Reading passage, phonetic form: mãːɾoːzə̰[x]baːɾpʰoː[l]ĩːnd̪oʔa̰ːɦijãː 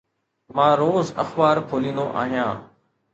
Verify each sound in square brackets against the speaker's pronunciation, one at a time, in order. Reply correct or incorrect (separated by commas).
correct, correct